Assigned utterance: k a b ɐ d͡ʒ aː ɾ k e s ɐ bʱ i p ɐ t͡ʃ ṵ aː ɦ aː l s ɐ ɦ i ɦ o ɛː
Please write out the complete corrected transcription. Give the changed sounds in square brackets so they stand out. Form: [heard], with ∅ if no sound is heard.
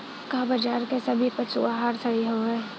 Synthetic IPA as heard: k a b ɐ d͡ʒ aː ɾ k e s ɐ bʱ i p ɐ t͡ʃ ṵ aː ɦ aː [ɾ] s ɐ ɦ i ɦ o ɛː